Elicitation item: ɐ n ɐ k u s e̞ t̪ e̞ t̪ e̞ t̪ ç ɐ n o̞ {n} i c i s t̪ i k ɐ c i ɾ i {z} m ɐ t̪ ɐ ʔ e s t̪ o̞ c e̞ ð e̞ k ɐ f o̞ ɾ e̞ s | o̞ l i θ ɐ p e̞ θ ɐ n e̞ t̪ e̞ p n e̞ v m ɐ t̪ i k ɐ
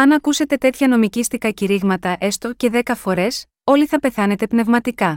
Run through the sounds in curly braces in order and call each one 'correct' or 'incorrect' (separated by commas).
incorrect, incorrect